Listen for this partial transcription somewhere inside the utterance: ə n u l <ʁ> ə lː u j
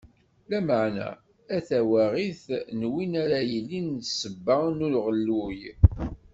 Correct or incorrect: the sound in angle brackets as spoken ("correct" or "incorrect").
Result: correct